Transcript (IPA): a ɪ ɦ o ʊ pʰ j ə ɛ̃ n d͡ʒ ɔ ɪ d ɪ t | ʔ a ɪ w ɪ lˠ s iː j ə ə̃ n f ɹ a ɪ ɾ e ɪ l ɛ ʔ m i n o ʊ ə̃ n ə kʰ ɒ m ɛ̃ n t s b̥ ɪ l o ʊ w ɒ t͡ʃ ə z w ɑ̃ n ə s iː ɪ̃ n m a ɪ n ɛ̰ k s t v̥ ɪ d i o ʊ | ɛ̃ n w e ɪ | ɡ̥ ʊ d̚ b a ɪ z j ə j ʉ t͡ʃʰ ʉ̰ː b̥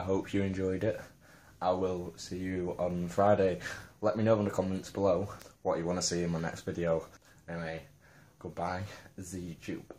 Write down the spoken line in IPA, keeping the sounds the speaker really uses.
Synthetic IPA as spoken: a ɪ ɦ o ʊ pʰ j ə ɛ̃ n d͡ʒ ɔ ɪ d ɪ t | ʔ a ɪ w ɪ lˠ s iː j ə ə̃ n f ɹ a ɪ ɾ e ɪ l ɛ ʔ m i n o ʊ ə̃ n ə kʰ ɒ m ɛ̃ n t s b̥ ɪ l o ʊ w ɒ t͡ʃ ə w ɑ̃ n ə s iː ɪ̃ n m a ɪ n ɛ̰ k s t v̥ ɪ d i o ʊ | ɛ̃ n w e ɪ | ɡ̥ ʊ d̚ b a ɪ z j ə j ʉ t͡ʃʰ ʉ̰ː b̥